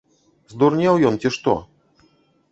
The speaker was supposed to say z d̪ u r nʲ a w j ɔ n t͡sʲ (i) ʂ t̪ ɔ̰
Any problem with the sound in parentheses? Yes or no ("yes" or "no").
no